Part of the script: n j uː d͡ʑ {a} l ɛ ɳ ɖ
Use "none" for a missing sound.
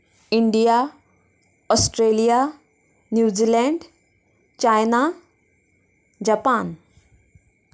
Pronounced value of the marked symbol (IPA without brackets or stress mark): i